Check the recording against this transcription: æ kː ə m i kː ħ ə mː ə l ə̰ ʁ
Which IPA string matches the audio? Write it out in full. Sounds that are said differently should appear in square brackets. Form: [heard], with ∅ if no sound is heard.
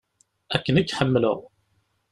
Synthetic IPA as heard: æ kː ə [n] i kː ħ ə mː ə l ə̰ ʁ